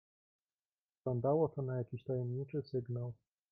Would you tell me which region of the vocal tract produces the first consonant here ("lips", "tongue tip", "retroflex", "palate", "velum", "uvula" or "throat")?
tongue tip